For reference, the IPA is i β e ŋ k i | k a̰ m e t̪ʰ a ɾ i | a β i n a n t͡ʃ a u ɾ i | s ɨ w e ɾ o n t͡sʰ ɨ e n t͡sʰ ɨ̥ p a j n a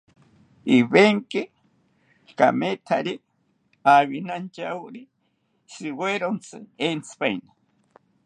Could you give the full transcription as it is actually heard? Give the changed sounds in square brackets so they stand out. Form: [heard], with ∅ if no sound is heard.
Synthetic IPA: i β e ŋ k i | k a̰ m e t̪ʰ a ɾ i | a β i n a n t͡ʃ a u ɾ i | s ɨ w e ɾ o n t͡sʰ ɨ e n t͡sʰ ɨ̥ p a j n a